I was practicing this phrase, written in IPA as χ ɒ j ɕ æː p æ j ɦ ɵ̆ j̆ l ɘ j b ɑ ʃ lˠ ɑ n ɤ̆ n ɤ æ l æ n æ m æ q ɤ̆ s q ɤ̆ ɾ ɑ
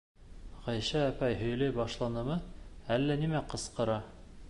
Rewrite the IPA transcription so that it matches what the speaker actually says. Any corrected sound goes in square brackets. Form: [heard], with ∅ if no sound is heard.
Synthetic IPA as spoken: [ʁ] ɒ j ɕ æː p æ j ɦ ɵ̆ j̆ l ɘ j b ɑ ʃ lˠ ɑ n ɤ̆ [m] ɤ æ [lː] æ n [i] m æ q ɤ̆ s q ɤ̆ ɾ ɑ